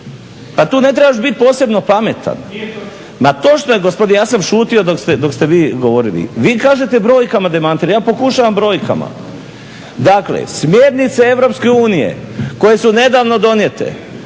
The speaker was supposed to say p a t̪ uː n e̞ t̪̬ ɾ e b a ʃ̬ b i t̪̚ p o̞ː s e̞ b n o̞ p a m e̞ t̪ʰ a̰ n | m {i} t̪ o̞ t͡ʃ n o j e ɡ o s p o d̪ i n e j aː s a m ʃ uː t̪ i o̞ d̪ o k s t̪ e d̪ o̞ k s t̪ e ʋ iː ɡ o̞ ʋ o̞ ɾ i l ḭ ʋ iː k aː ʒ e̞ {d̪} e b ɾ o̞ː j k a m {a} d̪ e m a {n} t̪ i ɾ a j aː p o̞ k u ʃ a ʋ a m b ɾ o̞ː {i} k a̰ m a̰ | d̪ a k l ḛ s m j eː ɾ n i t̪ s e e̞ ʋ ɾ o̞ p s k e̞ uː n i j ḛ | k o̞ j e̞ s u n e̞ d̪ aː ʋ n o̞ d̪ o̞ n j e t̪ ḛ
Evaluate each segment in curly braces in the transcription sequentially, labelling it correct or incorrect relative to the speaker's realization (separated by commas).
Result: incorrect, incorrect, correct, correct, incorrect